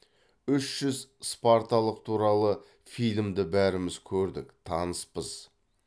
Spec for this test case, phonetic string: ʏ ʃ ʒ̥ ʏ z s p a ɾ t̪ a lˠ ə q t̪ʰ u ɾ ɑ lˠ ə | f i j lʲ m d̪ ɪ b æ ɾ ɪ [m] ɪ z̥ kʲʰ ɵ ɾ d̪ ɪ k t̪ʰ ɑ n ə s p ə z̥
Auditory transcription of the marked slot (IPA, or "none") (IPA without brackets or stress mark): m